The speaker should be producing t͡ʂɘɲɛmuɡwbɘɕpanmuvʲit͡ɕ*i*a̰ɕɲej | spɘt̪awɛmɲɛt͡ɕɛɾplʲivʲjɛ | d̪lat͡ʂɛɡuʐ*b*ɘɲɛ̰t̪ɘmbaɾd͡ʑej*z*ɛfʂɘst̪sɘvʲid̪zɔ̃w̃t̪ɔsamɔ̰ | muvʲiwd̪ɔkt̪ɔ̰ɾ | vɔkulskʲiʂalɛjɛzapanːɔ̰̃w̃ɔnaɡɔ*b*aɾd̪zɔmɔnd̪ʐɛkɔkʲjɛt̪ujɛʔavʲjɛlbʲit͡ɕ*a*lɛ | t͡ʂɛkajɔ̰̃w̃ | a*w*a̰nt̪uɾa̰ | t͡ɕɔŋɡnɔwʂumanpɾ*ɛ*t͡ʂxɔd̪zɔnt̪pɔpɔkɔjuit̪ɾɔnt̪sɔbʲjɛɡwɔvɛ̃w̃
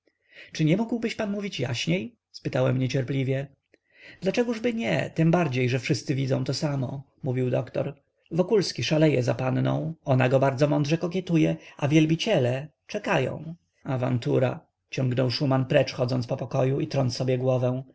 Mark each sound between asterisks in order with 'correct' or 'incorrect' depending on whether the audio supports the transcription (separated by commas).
incorrect, correct, incorrect, correct, incorrect, incorrect, correct